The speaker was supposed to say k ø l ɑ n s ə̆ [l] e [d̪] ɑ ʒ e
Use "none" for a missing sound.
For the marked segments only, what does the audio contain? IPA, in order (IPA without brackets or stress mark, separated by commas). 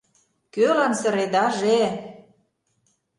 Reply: ɾ, d̪